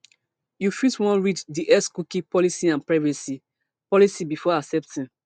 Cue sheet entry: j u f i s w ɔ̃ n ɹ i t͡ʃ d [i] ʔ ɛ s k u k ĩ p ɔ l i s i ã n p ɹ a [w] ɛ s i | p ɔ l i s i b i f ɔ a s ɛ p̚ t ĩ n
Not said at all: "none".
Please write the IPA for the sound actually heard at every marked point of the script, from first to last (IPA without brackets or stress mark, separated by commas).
i, v